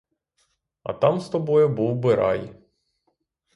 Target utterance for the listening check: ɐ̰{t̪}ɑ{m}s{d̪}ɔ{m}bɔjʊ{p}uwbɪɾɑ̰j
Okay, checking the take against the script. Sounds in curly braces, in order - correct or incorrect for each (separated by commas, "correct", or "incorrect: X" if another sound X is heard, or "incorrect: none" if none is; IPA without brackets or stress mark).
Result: correct, correct, incorrect: t̪, incorrect: none, incorrect: b